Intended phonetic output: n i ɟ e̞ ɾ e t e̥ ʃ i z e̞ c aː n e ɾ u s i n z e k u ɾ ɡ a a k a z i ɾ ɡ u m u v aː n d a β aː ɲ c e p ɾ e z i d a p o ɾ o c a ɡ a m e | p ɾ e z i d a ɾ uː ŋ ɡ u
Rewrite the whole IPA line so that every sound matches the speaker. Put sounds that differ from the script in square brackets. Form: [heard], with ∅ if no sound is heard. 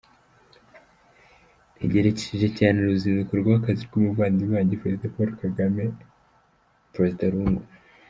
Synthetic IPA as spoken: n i ɟ e̞ ɾ e [c] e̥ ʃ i [ʒ] e̞ c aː n e ɾ u [z] i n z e k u ɾ ɡ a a k a z i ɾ ɡ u m u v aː n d [i] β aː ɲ [ɟ] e p ɾ e z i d a p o ɾ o [k] a ɡ a m e | p ɾ e z i d a ɾ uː ŋ ɡ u

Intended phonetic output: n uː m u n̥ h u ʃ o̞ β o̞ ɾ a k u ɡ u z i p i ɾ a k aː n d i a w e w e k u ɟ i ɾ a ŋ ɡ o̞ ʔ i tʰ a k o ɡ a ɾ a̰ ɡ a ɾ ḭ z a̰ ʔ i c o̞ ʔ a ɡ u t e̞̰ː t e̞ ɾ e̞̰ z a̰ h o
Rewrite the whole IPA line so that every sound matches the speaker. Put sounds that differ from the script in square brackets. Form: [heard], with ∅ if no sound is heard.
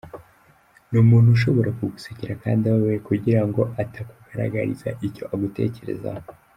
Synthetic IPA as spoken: n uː m [uː] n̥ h u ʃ o̞ β o̞ ɾ a k u ɡ u [s] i [c] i ɾ a k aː n d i a w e w e k u ɟ i ɾ a ŋ ɡ o̞ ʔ [a] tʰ a k [u] ɡ a ɾ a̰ ɡ a ɾ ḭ z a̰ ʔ i c o̞ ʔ a ɡ u t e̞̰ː [c] e̞ ɾ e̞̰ z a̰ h o

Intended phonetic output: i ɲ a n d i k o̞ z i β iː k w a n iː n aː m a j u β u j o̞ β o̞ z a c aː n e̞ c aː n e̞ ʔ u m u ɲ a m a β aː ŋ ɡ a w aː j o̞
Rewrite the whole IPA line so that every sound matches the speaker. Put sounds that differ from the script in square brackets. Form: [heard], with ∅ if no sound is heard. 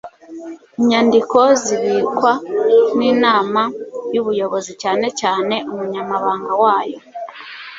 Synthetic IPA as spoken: i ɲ a n d i k o̞ z i β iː k w a n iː n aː m a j u β u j o̞ β o̞ z [i] c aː n e̞ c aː n e̞ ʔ u m u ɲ a m a β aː ŋ ɡ a w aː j o̞

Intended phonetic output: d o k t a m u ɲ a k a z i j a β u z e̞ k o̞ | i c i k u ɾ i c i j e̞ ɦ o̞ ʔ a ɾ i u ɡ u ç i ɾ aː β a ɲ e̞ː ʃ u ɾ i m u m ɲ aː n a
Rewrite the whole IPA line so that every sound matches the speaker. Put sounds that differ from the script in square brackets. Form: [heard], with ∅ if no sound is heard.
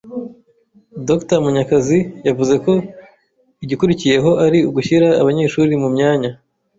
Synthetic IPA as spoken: d o k t a m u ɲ a k a z i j a [v] u z e̞ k o̞ | i [ɟ] i k u ɾ i c i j e̞ ɦ o̞ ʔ a ɾ i u ɡ u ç i ɾ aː β a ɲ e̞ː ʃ u ɾ i m u m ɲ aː [ɲ] a

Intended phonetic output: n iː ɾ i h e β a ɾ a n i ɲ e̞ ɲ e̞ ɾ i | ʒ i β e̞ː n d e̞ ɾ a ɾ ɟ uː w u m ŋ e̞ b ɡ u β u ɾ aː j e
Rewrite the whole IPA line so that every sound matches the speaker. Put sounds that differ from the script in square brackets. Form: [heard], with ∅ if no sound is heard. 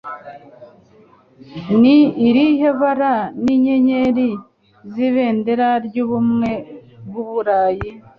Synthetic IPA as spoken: n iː ɾ i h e β a ɾ a n i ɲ e̞ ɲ e̞ ɾ i | [z] i β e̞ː n d e̞ ɾ a ɾ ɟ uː [β] u m ŋ e̞ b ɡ u β u ɾ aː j [i]

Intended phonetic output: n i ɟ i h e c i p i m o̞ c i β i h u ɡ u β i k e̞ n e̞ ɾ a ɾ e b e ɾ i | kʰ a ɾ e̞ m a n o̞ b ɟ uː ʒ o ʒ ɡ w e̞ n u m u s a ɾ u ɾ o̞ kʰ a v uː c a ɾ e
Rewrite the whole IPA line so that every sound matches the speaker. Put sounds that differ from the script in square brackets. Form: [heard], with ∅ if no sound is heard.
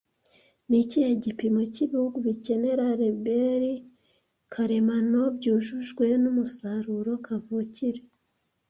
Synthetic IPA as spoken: n i [c] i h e [ɟ] i p i m o̞ c i β i h u ɡ u β i [c] e̞ n e̞ ɾ a ɾ e b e ɾ i | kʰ a ɾ e̞ m a n o̞ b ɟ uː ʒ [u] ʒ ɡ w e̞ n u m u s a ɾ u ɾ o̞ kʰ a v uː c [i] ɾ e

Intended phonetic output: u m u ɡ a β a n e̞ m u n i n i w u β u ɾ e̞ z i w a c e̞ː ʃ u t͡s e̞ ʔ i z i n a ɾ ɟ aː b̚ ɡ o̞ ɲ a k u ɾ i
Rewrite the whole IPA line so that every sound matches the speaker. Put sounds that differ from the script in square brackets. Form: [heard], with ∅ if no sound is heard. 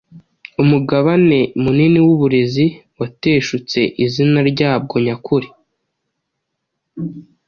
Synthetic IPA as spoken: u m u ɡ a β a n e̞ m u n i n i w u β u ɾ e̞ z i w a [t] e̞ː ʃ u t͡s e̞ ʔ i z i n a ɾ ɟ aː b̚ ɡ o̞ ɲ a k u ɾ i

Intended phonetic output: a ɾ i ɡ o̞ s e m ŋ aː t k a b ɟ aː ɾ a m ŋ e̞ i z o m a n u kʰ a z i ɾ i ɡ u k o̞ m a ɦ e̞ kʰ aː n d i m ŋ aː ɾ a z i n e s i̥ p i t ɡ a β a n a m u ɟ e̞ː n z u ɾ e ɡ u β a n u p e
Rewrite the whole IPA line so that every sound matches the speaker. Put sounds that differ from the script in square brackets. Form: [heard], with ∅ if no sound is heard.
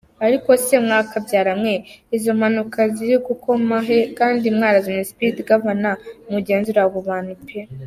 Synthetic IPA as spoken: a ɾ i [k] o̞ s e m ŋ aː [∅] k a b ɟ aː ɾ a m ŋ e̞ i z o m a n u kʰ a z i ɾ i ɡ u k o̞ m a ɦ e̞ [k] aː n d i m ŋ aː ɾ a z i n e s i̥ p i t ɡ a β a n a m u ɟ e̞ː n z u ɾ [a] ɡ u β a n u p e

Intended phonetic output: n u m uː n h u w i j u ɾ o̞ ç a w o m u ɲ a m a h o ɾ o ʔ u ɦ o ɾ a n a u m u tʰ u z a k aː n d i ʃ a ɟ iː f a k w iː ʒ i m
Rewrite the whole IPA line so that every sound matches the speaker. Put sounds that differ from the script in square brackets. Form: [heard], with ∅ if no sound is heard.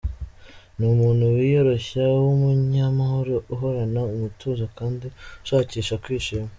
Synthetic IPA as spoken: n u m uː n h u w i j [o] ɾ o̞ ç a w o m u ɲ a m a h o ɾ o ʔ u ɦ o ɾ a n a u m u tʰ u z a k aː n d i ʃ a [c] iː [ʃ] a k w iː [ʃ] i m

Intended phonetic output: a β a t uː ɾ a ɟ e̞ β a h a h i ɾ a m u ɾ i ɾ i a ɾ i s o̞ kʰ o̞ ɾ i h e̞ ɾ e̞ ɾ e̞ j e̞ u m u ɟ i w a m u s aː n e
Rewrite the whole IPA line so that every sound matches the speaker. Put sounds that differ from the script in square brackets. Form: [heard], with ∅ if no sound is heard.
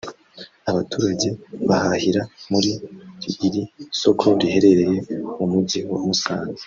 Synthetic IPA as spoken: a β a t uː ɾ a ɟ e̞ β a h a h i ɾ a m u ɾ i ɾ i [i] ɾ i s o̞ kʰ o̞ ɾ i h e̞ ɾ e̞ ɾ e̞ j e̞ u m u ɟ i w a m u s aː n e

